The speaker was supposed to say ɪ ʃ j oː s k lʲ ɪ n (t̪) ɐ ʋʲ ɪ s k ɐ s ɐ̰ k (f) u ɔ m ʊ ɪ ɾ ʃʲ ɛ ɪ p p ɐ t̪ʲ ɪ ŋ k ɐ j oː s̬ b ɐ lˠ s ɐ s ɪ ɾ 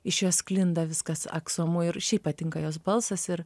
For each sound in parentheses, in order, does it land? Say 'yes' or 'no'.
no, no

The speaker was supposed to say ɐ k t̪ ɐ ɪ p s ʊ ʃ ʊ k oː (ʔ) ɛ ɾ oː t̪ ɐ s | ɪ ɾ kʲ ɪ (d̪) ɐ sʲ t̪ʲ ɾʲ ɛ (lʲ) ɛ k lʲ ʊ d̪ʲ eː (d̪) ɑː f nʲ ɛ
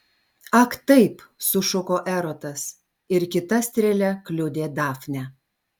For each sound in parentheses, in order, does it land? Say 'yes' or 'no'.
yes, no, yes, yes

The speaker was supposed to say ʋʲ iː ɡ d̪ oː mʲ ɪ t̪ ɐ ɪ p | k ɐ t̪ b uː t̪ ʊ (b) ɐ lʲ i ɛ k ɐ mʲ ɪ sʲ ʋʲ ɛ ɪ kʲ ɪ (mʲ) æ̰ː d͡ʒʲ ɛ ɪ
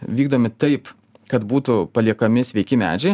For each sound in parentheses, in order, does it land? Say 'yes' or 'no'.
no, yes

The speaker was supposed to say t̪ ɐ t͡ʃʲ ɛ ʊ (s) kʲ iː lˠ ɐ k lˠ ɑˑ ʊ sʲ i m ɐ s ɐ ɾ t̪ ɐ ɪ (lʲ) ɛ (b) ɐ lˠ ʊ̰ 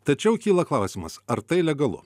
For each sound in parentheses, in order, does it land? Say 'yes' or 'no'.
no, yes, no

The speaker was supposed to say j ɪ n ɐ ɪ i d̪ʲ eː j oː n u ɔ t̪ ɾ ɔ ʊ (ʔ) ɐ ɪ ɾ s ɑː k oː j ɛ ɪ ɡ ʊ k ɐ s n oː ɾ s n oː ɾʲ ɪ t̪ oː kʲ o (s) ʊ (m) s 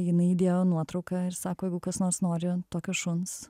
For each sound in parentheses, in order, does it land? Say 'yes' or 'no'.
no, no, no

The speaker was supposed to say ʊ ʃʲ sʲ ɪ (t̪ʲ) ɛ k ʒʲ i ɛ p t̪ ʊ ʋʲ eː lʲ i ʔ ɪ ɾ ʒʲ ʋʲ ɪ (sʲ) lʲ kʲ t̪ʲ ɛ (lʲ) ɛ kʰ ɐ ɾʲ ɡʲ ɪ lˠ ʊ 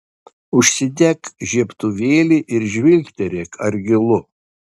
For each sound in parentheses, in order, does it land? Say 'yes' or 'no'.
no, no, no

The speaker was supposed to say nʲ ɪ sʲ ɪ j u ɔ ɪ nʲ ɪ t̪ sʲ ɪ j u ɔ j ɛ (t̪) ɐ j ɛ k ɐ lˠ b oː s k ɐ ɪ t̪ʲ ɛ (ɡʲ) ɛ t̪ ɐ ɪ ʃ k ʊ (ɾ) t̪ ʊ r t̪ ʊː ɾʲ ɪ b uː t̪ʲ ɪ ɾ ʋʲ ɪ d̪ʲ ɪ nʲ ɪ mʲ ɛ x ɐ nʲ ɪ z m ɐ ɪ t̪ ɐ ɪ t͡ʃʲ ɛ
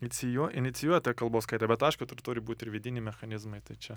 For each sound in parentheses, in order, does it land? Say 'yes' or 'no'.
yes, no, no

